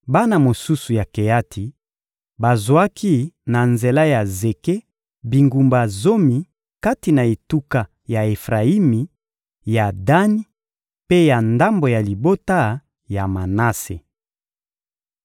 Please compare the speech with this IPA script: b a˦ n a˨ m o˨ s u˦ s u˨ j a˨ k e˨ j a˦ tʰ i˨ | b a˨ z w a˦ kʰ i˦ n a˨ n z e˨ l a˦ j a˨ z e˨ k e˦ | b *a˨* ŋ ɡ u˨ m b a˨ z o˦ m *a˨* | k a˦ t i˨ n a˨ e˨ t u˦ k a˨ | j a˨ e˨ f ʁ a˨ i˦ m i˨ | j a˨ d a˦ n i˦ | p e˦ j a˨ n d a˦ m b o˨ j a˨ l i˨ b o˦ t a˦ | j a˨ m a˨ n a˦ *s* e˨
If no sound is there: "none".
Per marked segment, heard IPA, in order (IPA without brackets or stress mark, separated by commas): i˨, i˨, s